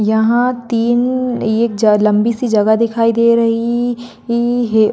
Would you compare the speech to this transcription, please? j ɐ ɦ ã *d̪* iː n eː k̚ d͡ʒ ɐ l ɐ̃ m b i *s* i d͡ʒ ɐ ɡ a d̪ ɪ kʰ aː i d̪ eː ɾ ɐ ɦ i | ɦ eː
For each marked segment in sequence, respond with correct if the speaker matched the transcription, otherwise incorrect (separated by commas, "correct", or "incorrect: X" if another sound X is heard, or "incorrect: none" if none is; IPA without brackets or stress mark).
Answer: incorrect: t̪, correct